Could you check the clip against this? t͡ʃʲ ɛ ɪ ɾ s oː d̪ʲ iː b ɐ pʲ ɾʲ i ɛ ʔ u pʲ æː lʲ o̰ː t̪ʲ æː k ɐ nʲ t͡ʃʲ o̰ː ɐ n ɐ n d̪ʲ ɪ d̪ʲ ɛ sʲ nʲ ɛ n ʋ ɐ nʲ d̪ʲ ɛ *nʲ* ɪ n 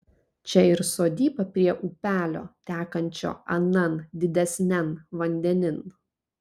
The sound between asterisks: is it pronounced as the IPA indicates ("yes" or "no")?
yes